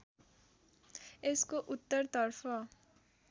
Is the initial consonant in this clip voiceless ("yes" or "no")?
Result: yes